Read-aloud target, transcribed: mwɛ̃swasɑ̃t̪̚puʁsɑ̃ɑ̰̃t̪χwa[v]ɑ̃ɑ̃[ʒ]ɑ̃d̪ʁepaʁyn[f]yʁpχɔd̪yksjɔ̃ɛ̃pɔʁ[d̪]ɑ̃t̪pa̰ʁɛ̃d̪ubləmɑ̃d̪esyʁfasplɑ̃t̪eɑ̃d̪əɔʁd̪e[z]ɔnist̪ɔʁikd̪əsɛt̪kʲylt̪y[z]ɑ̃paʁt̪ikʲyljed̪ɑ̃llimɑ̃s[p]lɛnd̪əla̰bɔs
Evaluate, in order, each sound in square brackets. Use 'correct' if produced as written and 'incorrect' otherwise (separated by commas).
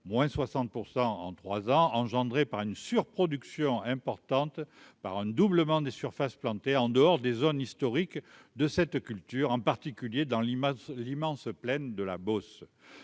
incorrect, correct, incorrect, incorrect, correct, incorrect, correct